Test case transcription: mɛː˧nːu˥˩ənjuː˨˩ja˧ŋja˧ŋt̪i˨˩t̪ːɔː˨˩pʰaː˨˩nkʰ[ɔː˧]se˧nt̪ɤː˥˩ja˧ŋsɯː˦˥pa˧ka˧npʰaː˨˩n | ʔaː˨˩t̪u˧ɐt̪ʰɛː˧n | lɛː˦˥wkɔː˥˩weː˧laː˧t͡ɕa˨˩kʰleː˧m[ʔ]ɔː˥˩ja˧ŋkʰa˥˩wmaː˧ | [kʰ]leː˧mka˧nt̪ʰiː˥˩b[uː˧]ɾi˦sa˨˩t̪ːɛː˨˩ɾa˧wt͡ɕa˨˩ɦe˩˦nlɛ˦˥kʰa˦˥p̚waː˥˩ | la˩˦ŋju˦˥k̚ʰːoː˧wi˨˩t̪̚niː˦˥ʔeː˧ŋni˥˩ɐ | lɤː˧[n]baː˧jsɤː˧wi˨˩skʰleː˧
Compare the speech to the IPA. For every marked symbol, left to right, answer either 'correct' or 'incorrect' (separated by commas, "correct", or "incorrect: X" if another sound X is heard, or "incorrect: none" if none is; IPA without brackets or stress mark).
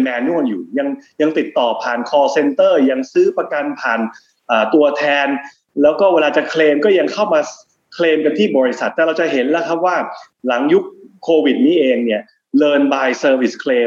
correct, incorrect: k, correct, incorrect: ɔː˧, correct